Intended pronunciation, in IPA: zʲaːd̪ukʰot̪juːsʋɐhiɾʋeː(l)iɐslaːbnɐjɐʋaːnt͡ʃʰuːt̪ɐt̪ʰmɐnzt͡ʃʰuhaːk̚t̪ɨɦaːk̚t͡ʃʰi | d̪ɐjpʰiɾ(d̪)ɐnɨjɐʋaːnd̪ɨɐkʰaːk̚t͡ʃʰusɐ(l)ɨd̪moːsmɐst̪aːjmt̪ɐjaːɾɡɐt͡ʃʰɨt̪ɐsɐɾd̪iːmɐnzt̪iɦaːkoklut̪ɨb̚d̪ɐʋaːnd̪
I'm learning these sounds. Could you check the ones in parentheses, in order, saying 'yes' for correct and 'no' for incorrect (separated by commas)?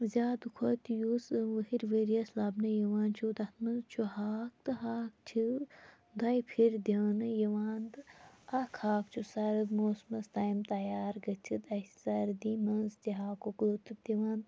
no, yes, no